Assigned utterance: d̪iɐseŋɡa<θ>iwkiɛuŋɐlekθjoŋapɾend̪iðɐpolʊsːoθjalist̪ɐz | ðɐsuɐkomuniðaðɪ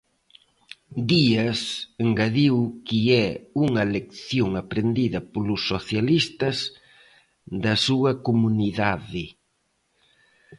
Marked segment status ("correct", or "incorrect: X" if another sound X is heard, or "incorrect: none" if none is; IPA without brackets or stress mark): incorrect: ð